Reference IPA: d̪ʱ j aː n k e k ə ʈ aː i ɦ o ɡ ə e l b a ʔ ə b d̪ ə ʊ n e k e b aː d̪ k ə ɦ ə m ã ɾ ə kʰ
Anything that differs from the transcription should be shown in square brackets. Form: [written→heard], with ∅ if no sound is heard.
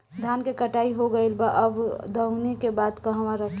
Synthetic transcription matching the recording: d̪ʱ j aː n k e k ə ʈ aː i ɦ o ɡ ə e l b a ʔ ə b d̪ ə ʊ n e k e b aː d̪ k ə ɦ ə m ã ɾ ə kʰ

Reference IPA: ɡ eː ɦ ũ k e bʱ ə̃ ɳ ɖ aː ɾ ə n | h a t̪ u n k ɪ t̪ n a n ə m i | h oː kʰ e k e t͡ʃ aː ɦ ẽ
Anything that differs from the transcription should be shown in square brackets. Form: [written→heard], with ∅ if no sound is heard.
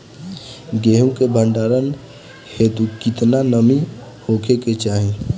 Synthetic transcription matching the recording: ɡ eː ɦ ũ k e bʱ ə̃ ɳ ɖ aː ɾ ə n | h [a→e] t̪ u [n→∅] k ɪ t̪ n a n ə m i | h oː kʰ e k e t͡ʃ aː ɦ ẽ

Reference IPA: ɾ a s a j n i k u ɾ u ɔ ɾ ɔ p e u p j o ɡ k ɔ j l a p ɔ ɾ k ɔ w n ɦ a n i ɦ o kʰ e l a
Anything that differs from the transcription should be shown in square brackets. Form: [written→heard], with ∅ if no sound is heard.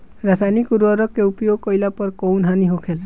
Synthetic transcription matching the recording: ɾ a s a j n i k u ɾ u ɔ ɾ ɔ [p→k] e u p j o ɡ k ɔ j l a p ɔ ɾ k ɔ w n ɦ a n i ɦ o kʰ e l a

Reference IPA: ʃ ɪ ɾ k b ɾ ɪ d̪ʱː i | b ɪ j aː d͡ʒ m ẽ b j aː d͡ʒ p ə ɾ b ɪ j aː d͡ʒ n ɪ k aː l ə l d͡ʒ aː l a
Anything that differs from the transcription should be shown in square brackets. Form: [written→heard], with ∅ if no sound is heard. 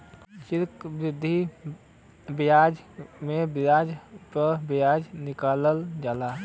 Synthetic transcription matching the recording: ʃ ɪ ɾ k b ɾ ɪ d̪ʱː i | b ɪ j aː d͡ʒ m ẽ b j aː d͡ʒ p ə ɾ b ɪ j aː d͡ʒ n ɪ k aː l ə l d͡ʒ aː l a

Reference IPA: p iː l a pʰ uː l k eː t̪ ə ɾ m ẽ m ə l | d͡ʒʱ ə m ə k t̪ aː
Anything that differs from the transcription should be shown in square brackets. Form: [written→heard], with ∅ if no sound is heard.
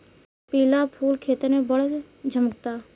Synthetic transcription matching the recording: p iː l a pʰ uː l [k→kʰ] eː t̪ ə ɾ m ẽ [m→b] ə [l→ɽ] | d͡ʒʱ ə m ə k t̪ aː

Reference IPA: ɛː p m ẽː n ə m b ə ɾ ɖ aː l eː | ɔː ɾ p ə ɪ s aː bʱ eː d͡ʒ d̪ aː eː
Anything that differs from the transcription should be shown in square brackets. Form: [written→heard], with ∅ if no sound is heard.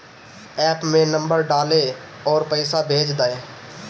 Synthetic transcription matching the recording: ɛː p m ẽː n ə m b ə ɾ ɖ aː l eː | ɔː ɾ p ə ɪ s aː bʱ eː d͡ʒ d̪ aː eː

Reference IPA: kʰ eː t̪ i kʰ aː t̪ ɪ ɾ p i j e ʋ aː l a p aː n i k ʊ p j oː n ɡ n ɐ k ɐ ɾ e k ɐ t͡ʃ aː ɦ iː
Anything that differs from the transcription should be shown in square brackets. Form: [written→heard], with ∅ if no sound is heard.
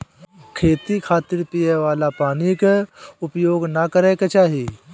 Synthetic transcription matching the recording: kʰ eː t̪ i kʰ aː t̪ ɪ ɾ p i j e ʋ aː l a p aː n i k ʊ p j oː [n→∅] ɡ n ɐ k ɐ ɾ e k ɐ t͡ʃ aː ɦ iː

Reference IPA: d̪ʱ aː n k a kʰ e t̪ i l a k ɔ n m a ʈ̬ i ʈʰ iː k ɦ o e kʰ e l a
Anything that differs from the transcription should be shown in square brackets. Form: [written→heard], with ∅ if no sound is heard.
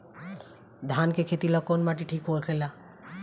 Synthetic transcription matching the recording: d̪ʱ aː n k [a→e] kʰ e t̪ i l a k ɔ n m a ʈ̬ i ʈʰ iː k ɦ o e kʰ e l a

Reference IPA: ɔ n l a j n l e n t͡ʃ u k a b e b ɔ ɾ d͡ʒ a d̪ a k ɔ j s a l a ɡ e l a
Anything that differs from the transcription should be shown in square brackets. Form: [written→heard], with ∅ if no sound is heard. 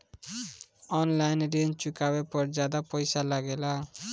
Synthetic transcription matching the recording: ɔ n l a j n [l→ɾ] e n t͡ʃ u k a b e [b→p] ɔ ɾ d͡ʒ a d̪ a [k→p] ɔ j s a l a ɡ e l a

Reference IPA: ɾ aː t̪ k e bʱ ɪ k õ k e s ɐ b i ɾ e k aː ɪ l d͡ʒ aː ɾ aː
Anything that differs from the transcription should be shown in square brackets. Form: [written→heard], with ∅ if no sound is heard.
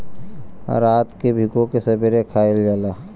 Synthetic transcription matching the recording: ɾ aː t̪ k e bʱ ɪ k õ k e s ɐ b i ɾ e [k→kʰ] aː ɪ l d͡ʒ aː [ɾ→l] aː

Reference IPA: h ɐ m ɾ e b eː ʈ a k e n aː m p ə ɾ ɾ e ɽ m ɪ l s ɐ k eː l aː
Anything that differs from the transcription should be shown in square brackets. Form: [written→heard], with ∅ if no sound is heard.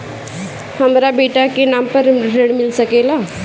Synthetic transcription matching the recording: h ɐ m ɾ [e→a] b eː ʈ a k e n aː m p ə ɾ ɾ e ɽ m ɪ l s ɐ k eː l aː

